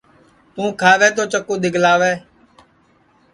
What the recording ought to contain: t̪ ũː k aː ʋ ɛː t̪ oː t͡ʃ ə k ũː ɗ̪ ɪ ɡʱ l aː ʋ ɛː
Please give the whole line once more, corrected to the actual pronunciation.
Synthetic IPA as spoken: t̪ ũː kʰ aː ʋ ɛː t̪ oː t͡ʃ ə k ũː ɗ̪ ɪ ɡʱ l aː ʋ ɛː